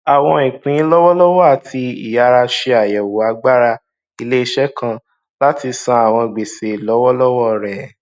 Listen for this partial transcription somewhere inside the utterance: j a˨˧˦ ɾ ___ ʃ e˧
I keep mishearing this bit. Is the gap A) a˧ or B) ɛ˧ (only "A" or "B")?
A